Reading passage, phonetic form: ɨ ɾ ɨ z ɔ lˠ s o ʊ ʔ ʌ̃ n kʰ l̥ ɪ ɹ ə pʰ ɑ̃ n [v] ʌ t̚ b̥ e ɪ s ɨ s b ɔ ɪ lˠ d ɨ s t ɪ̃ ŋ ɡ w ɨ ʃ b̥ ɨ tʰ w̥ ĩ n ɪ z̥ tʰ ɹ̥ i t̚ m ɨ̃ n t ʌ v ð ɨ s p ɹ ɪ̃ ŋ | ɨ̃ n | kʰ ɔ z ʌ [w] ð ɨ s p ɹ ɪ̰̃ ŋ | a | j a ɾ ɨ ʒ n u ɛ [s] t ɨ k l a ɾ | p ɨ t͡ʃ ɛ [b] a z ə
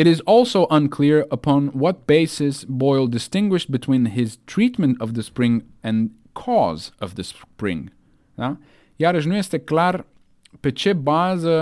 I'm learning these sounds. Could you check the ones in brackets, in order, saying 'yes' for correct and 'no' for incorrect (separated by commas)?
no, no, yes, yes